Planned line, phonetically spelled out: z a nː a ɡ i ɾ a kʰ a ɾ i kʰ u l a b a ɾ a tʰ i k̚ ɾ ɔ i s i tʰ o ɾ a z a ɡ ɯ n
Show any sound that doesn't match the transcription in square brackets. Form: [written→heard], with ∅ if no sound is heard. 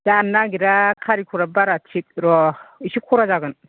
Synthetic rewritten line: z a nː a ɡ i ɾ a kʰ a ɾ i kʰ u [l→ɾ] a b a ɾ a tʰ i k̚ ɾ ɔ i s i [tʰ→kʰ] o ɾ a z a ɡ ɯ n